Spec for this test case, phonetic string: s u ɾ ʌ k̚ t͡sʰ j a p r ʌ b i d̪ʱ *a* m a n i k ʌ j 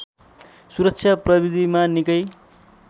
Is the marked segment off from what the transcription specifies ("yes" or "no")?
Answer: yes